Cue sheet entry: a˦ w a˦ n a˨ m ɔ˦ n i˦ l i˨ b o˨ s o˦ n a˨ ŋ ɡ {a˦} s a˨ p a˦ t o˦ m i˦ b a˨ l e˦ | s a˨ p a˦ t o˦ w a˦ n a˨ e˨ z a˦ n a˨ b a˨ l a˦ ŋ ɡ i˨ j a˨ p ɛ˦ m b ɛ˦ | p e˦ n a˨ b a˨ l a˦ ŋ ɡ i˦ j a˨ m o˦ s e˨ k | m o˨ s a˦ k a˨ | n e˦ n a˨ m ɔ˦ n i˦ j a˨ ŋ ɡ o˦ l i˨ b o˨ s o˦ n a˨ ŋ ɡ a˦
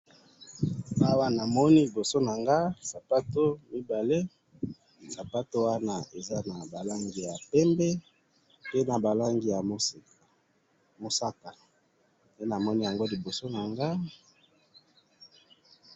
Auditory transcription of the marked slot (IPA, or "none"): a˦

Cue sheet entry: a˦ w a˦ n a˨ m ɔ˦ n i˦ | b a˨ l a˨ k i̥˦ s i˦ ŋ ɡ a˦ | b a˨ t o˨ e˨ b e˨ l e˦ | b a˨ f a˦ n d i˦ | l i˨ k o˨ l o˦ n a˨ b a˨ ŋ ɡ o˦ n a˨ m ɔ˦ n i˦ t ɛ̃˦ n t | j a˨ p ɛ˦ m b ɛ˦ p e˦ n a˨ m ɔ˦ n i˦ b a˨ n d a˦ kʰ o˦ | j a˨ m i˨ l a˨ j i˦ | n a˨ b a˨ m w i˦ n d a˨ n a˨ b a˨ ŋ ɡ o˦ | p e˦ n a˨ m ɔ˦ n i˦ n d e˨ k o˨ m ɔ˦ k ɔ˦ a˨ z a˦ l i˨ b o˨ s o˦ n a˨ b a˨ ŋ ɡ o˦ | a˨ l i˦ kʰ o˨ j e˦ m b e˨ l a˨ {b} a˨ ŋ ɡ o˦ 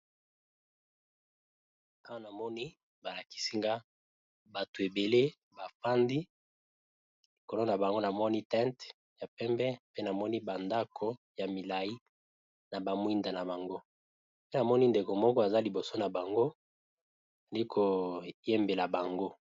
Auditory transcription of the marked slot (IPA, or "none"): b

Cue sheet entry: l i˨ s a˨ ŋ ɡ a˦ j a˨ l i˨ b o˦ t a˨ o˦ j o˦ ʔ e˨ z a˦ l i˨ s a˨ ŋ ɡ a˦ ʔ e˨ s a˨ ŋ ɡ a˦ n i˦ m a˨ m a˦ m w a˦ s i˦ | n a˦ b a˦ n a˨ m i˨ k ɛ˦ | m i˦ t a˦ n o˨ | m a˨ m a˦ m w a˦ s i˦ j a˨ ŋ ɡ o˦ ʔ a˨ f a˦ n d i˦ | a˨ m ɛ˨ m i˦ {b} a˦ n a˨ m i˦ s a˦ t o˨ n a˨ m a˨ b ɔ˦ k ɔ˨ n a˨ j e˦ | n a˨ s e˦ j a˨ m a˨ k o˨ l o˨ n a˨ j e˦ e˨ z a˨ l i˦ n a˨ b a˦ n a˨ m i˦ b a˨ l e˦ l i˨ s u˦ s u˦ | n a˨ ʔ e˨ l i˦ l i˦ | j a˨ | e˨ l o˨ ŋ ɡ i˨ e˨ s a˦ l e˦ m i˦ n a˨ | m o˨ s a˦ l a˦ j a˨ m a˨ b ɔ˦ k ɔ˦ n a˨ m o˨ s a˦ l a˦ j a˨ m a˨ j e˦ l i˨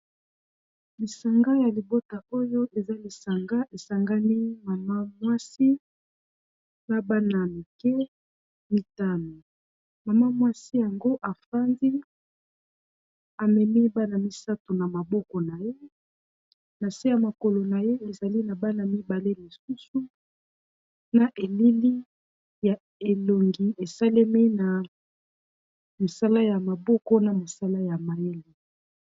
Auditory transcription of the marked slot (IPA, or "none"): b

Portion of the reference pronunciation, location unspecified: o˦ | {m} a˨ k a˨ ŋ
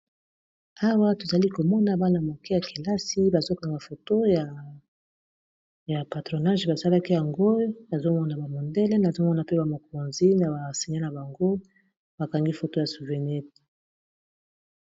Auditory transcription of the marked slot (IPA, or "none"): b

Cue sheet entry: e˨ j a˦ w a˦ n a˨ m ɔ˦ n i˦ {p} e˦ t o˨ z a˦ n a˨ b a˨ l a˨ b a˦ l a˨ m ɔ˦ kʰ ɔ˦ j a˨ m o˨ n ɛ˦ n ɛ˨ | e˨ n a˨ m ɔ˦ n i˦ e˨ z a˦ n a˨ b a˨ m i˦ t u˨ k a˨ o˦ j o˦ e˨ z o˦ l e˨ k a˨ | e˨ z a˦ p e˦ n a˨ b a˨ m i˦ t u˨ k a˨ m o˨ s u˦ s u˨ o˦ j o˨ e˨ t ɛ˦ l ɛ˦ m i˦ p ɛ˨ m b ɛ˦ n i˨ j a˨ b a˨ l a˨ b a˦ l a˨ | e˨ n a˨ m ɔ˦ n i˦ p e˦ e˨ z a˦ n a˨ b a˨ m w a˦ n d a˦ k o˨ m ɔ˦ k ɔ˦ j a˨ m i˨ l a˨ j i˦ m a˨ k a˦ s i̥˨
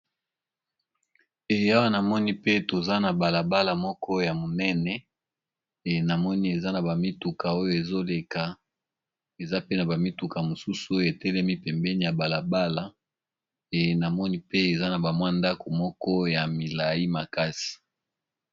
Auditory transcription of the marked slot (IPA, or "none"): p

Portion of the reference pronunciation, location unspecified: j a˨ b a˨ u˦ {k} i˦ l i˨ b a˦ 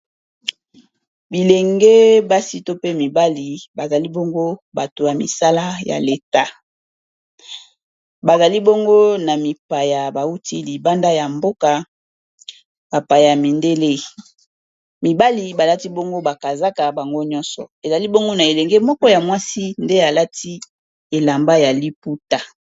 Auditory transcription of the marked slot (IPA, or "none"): t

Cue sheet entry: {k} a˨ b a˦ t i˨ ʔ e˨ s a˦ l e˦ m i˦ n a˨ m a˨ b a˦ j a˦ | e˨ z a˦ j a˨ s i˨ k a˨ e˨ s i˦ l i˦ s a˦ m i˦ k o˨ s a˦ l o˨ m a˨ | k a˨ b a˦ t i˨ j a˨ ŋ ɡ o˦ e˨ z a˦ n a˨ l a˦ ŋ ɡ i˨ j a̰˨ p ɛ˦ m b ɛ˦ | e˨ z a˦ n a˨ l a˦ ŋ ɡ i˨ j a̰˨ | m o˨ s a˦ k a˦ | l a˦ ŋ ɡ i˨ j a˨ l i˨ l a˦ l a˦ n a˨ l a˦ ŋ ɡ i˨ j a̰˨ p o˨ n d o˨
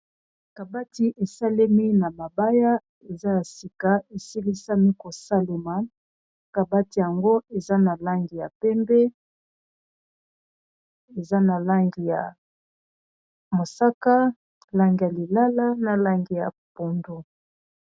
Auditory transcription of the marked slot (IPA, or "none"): k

